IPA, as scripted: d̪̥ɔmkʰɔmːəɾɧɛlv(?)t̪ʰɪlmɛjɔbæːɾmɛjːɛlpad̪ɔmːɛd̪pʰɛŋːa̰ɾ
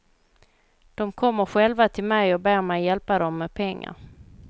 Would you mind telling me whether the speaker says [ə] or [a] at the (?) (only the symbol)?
a